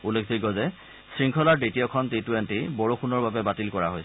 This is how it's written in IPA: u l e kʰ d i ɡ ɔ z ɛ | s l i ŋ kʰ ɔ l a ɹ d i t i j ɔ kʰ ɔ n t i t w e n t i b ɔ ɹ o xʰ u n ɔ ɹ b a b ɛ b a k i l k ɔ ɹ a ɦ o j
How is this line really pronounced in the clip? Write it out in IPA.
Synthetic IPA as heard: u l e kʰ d i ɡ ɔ z ɛ | s ɹ i ŋ kʰ ɔ l a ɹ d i t i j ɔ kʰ ɔ n t i t w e n t i b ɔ ɹ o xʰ u n ɔ ɹ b a b ɛ b a t i l k ɔ ɹ a ɦ o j